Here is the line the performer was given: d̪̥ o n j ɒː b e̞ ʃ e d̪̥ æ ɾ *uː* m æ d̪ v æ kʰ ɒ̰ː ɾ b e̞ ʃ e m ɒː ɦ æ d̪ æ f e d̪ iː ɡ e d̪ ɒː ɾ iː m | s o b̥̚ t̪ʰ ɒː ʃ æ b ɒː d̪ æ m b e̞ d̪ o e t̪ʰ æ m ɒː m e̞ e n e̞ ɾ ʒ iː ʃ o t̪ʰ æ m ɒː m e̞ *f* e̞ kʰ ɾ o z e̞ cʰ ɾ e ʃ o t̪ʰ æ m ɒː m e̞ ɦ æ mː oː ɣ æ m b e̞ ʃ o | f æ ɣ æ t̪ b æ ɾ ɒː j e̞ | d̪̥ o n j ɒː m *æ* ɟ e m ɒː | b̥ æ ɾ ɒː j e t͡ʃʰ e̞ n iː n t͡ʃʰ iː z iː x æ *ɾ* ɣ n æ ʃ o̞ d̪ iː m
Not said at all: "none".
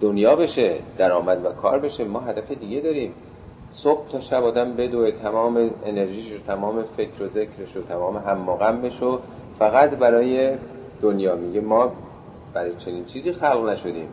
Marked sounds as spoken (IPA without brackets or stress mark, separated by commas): ɒː, f, i, l